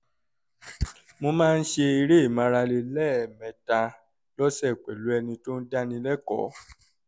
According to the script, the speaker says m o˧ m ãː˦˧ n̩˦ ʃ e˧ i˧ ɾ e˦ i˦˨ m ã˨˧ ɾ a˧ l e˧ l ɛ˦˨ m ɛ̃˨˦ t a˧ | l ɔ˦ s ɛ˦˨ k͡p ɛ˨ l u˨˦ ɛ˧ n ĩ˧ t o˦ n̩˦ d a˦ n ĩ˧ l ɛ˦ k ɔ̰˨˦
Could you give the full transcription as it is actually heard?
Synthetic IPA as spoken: m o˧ m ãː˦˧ n̩˦ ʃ e˧ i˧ ɾ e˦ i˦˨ m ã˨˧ ɾ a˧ l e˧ l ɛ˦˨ m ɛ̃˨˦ t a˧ | l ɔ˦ s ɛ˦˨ k͡p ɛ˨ l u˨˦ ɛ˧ n ĩ˧ t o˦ n̩˦ d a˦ n ĩ˧ l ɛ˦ k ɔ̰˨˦